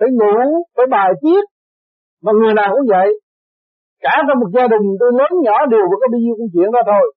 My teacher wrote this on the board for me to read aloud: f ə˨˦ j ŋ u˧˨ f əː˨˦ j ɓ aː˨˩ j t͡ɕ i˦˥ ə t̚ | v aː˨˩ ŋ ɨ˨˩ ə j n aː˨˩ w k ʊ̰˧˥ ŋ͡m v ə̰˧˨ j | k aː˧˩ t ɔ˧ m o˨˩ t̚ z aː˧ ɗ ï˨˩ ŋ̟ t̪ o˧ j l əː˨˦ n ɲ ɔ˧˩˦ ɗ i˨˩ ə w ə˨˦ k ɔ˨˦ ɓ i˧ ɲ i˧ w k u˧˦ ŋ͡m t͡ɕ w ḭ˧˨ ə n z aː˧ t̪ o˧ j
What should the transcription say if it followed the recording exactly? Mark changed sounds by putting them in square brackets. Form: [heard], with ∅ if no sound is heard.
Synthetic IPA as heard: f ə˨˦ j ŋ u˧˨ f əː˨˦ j ɓ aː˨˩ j t͡ɕ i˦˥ ə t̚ | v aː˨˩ ŋ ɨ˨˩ ə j n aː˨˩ w k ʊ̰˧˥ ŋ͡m v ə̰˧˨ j | k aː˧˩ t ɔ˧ m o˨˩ t̚ z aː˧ ɗ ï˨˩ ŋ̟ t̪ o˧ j l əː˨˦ n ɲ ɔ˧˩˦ ɗ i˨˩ ə w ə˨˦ k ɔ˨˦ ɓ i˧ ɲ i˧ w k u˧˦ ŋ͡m t͡ɕ w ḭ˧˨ ə n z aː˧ [t̪ʰ] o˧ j